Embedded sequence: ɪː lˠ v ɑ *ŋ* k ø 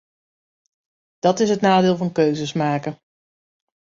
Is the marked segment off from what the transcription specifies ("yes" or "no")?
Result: yes